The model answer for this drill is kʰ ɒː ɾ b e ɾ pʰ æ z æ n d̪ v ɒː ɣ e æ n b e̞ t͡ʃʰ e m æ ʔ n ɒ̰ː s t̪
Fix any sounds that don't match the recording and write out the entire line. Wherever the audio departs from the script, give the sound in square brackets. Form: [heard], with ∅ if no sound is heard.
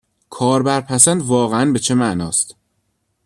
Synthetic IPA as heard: kʰ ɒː ɾ b [æ] ɾ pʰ æ [s] æ n d̪ v ɒː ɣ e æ n b e̞ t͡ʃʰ e m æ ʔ n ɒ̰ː s t̪